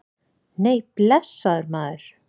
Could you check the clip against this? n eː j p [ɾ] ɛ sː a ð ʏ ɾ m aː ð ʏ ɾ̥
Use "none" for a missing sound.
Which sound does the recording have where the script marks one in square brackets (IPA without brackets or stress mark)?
l